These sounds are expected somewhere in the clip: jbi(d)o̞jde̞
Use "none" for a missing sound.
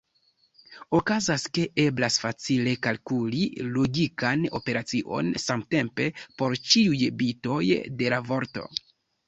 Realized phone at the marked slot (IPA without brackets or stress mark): t